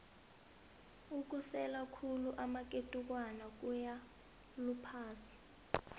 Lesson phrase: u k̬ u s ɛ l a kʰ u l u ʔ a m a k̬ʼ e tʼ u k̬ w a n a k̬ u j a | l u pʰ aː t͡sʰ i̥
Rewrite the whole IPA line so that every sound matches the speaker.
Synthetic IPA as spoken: u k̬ u s ɛ l a kʰ u l u ʔ a m a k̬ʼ e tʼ u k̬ w a n a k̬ u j a | l u pʰ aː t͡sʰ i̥